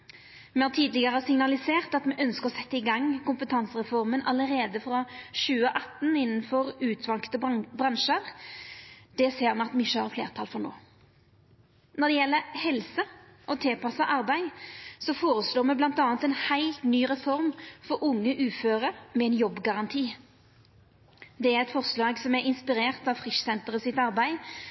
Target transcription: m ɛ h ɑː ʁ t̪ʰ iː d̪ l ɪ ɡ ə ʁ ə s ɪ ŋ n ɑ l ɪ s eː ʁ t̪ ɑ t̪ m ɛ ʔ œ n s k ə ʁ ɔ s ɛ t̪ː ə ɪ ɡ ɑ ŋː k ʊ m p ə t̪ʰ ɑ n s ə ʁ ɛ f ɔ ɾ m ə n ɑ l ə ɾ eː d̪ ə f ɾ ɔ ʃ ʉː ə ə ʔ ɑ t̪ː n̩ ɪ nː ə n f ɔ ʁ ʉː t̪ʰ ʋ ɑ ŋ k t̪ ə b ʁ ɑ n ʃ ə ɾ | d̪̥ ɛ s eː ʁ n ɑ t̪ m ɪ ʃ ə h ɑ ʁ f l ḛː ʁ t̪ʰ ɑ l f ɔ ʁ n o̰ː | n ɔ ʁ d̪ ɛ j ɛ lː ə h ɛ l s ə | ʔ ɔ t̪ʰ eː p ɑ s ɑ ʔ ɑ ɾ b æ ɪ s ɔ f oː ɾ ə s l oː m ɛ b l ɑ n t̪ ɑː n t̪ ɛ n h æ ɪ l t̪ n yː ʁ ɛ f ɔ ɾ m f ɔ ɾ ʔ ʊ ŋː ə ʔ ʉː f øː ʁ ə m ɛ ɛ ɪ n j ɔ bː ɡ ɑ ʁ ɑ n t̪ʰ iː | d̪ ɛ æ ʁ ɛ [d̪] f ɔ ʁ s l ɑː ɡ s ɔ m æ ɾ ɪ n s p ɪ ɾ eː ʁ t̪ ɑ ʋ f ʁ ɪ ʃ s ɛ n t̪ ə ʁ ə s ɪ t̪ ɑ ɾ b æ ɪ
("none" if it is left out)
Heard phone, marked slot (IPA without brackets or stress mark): t̪